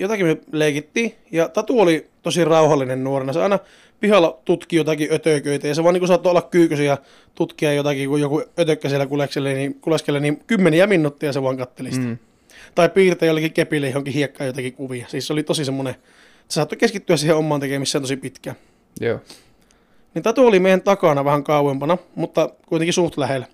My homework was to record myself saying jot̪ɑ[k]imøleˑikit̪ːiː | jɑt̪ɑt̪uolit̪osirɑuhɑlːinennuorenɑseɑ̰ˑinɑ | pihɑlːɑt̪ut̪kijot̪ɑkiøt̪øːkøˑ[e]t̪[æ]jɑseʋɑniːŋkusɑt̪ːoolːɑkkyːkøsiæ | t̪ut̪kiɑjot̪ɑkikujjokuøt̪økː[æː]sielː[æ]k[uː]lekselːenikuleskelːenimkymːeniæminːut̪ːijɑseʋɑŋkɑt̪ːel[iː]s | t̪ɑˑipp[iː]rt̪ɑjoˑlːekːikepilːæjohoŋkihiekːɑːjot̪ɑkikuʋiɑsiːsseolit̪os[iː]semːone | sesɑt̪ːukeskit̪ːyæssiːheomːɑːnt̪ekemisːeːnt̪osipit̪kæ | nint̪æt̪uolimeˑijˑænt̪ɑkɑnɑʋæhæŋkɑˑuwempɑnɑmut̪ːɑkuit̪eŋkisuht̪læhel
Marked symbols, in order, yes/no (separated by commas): yes, no, yes, no, yes, no, no, yes, no